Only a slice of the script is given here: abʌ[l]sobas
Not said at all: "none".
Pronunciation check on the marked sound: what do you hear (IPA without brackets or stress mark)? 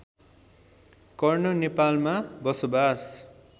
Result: none